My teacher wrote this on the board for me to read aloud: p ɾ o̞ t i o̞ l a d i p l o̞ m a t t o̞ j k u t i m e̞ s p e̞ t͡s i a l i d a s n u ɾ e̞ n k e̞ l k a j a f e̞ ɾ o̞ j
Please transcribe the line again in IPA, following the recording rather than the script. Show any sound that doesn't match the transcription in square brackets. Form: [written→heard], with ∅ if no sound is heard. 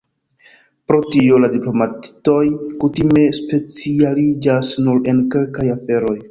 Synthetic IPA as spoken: p ɾ o̞ t i o̞ l a d i p l o̞ m a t t o̞ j k u t i m e̞ s p e̞ t͡s i a l i [d→d͡ʒ] a s n u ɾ e̞ n k e̞ l k a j a f e̞ ɾ o̞ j